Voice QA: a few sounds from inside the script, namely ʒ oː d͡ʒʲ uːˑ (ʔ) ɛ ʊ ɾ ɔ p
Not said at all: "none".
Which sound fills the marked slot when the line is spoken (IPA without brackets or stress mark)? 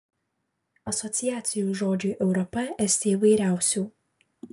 ʔ